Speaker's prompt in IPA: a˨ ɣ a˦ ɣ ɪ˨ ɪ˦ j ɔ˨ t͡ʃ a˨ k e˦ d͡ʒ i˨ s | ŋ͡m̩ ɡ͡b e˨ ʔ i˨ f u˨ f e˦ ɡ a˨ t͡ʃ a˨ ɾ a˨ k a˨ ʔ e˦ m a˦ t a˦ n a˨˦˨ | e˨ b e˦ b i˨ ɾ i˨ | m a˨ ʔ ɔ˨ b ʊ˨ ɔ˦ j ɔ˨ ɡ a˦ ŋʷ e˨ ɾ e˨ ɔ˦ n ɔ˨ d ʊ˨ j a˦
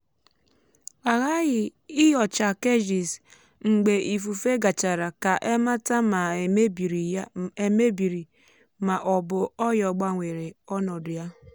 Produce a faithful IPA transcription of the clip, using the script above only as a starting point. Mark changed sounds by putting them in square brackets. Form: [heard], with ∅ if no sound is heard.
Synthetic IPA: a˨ ɣ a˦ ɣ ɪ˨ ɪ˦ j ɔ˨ t͡ʃ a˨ k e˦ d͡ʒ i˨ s | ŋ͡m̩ ɡ͡b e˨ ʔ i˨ f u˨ f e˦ ɡ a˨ t͡ʃ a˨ ɾ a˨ k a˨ ʔ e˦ m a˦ t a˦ [m] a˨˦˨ | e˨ [m] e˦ b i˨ ɾ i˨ | m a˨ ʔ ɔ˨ b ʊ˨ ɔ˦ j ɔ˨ [ɡ͡b] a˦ ŋʷ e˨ ɾ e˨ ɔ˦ n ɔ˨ d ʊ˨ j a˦